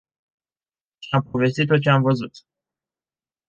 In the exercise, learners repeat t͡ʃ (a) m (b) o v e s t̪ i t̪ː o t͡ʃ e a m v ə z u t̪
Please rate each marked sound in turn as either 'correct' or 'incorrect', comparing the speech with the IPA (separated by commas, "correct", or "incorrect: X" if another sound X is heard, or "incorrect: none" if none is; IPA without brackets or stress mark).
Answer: correct, incorrect: p